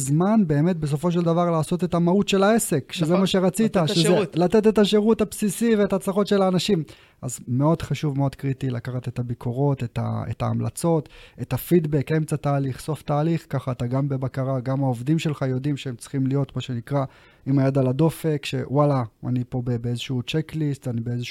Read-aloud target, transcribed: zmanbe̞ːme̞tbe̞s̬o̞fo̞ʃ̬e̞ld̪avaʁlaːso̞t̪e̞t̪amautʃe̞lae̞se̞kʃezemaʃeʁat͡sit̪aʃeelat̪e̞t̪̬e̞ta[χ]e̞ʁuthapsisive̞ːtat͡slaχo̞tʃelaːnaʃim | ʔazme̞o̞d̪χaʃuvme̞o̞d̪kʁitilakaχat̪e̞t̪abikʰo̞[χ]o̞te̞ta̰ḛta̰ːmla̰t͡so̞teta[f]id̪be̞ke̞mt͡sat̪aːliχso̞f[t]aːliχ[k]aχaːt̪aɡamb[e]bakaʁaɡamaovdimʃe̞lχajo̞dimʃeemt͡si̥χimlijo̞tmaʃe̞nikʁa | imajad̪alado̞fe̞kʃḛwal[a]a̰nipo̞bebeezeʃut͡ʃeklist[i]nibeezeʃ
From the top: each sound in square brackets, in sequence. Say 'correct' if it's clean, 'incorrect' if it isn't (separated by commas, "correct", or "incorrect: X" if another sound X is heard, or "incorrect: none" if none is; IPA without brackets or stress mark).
incorrect: ʃ, incorrect: ʁ, correct, correct, correct, correct, correct, incorrect: a